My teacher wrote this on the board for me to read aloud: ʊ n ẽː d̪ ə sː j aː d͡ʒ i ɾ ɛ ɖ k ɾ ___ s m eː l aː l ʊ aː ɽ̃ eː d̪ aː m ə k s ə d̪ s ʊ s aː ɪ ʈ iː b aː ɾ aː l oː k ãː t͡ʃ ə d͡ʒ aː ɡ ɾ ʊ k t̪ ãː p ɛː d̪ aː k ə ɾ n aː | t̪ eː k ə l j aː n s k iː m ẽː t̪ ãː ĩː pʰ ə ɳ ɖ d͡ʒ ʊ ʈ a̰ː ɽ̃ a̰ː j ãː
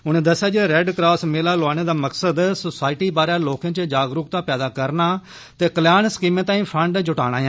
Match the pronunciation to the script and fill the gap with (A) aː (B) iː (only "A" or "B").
A